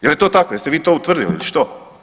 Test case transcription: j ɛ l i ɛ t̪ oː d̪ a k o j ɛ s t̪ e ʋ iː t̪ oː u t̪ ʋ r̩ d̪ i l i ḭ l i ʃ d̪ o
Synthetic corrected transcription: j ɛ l j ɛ t̪ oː t̪ a k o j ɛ s t̪ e ʋ iː t̪ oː u t̪ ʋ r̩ d̪ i l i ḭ l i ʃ t̪ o